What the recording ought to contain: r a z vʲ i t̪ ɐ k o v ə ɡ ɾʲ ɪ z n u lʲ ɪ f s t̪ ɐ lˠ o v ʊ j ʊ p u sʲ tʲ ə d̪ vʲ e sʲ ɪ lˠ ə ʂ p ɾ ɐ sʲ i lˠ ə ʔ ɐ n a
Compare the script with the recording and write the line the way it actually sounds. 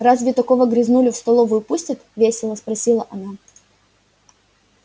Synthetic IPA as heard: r a z vʲ ɪ t̪ ɐ k o v ə ɡ ɾʲ ɪ z n u lʲ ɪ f s t̪ ɐ lˠ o v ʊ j ʊ p u sʲ tʲ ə t̪ vʲ e sʲ ɪ lˠ ə s p ɾ ɐ sʲ i lˠ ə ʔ ɐ n a